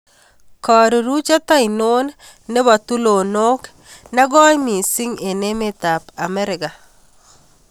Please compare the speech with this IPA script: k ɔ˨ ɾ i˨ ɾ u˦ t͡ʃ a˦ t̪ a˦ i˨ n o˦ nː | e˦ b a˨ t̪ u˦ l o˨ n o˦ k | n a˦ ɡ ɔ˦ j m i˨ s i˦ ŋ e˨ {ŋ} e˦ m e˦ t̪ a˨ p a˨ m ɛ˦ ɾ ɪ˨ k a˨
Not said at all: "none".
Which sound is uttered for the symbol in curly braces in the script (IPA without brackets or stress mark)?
n